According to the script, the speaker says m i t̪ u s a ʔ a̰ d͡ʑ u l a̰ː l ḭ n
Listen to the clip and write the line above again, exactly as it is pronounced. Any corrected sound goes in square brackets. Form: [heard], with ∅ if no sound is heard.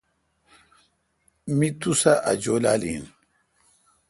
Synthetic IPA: m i t̪ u s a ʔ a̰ d͡ʑ [o] l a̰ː l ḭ n